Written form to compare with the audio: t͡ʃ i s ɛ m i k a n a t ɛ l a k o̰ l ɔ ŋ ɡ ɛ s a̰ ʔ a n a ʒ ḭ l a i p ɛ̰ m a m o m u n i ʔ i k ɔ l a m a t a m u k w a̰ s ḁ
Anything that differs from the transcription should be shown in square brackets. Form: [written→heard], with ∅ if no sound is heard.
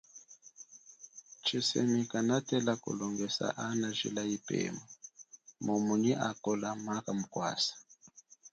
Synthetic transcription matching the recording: t͡ʃ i s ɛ m i k a n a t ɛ l a k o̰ l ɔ ŋ ɡ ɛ s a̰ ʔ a n a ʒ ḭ l a i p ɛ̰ m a m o m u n i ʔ [i→a] k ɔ l a m a [t→k] a m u k w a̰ s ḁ